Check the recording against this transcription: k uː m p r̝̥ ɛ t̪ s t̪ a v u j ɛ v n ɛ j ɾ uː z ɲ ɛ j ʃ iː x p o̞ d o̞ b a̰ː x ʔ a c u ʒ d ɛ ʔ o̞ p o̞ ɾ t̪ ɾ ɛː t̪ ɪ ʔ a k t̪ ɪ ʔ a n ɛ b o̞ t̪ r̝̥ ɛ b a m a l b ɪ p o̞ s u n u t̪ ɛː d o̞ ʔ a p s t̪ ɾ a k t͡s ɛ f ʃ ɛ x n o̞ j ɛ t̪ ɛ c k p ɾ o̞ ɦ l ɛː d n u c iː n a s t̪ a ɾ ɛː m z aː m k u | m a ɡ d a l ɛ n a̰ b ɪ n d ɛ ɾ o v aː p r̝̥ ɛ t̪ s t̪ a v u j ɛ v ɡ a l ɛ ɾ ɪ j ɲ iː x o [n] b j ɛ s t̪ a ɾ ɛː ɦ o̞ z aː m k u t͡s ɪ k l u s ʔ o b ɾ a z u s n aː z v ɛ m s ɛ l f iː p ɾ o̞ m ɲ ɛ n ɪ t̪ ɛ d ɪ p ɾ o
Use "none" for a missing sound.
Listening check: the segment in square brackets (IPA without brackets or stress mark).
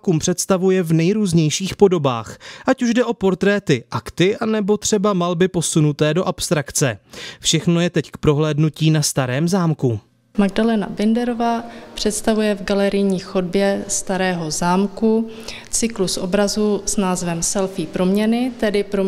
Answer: d